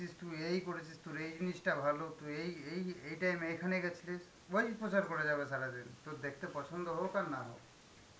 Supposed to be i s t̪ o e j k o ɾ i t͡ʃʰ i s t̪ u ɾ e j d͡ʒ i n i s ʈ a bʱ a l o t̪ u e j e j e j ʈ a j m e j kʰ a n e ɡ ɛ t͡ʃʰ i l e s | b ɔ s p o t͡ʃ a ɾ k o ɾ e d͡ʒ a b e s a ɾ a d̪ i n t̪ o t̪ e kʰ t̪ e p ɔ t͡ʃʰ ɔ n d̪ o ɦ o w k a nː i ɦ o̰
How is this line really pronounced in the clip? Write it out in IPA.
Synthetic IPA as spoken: i s t̪ u e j k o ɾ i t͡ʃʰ i s t̪ u ɾ e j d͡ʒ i n i s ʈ a bʱ a l o t̪ u e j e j e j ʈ a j m e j kʰ a n e ɡ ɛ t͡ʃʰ i l e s | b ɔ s p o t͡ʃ a ɾ k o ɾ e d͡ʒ a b e s a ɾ a d̪ i n t̪ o d̪ e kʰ t̪ e p ɔ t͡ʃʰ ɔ n d̪ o ɦ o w k a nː a ɦ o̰